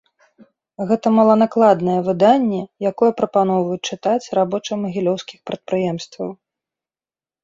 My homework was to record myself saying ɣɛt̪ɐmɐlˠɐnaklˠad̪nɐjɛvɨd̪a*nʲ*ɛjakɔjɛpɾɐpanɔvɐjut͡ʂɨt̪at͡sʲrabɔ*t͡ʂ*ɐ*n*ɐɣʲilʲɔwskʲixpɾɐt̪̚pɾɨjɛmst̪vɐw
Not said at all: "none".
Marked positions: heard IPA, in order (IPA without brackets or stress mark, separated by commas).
nʲː, t͡ʂ, m